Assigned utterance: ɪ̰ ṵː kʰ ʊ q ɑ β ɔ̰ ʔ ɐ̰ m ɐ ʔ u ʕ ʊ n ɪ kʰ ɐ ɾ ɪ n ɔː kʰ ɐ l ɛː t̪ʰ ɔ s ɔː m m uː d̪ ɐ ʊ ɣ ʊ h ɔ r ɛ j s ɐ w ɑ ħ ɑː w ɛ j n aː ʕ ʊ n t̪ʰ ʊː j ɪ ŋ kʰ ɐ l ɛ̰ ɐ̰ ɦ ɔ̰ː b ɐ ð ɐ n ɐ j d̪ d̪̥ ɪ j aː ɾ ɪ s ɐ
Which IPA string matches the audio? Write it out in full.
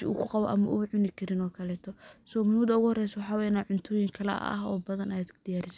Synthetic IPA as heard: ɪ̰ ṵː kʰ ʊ q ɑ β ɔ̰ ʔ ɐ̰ m ɐ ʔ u ʕ ʊ n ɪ kʰ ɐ ɾ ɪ n ɔː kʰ ɐ l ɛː t̪ʰ ɔ s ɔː m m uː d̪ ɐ ʊ ɣ ʊ h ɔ r ɛ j s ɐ w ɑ ħ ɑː w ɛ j n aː ʕ ʊ n t̪ʰ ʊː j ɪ ŋ kʰ ɐ l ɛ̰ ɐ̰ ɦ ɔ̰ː b ɐ ð ɐ n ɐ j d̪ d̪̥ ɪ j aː ɾ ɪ s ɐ